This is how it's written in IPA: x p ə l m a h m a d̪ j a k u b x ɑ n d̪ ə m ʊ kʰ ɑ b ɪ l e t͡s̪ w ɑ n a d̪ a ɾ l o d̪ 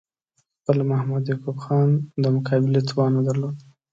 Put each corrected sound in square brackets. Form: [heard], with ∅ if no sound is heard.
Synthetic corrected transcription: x p ə l m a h m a d̪ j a k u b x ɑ n d̪ ə m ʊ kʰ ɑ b ɪ l e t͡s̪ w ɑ n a d̪ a ɾ l o d̪